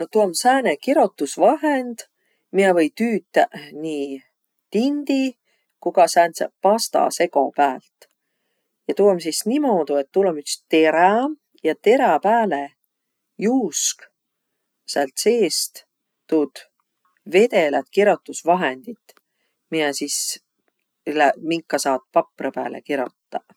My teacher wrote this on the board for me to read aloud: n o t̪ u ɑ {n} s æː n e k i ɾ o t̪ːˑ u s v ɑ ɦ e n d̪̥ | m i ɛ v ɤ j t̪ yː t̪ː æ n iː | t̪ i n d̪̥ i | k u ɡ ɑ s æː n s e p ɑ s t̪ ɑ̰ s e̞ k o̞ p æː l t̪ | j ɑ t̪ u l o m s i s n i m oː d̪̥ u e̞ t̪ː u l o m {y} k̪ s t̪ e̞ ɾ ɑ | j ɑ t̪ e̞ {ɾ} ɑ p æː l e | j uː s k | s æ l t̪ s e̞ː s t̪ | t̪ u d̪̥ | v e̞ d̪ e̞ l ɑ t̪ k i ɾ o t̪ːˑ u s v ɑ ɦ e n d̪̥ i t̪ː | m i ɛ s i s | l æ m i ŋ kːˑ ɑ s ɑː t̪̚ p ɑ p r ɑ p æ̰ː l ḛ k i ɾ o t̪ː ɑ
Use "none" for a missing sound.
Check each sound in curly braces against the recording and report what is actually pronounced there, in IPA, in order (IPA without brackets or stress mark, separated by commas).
m, y, ɾ